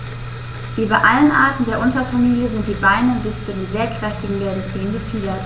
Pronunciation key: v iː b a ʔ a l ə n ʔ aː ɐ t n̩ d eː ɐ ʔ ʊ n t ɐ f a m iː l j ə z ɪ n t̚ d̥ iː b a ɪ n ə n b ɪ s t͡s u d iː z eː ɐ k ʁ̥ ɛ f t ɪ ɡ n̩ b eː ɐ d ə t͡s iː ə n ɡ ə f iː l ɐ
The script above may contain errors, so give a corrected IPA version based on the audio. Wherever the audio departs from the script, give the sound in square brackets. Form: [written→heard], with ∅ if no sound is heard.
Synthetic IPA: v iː b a ʔ a l ə n ʔ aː ɐ t n̩ d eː ɐ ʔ ʊ n t ɐ f a m iː l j ə z ɪ n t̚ d̥ iː b a ɪ n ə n b ɪ s t͡s u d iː z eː ɐ k ʁ̥ ɛ f t ɪ ɡ [n̩→ŋ̩] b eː ɐ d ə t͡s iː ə n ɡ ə f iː l ɐ